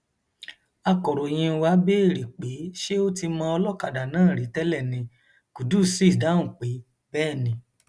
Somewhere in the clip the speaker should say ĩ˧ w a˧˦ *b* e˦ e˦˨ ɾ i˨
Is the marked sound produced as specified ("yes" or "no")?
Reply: yes